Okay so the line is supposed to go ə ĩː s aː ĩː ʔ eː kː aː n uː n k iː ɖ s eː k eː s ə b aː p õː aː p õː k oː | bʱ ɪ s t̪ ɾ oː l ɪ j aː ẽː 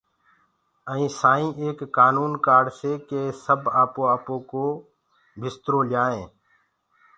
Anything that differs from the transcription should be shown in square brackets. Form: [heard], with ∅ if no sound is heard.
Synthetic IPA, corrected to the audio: ə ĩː s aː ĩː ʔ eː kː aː n uː n k [aː] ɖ s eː k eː s ə b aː p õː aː p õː k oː | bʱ ɪ s t̪ ɾ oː l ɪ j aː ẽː